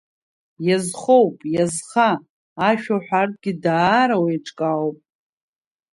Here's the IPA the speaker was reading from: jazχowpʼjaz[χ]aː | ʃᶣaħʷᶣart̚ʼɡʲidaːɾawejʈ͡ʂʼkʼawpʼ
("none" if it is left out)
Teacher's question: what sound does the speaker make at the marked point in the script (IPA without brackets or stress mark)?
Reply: χ